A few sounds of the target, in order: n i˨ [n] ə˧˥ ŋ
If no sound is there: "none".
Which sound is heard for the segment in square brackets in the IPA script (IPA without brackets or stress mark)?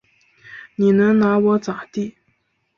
n